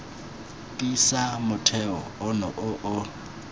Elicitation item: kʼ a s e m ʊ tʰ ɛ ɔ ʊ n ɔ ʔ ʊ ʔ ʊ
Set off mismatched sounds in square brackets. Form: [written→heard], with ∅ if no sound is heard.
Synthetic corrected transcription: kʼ [a→i] s [e→a] m ʊ tʰ ɛ ɔ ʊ n ɔ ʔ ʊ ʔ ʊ